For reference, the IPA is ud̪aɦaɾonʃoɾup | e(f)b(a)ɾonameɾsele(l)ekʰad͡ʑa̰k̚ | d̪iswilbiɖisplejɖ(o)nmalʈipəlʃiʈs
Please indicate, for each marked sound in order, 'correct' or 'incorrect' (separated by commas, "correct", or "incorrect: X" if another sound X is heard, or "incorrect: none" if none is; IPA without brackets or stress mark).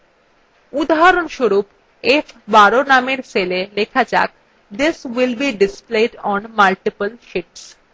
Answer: correct, correct, correct, incorrect: ɔ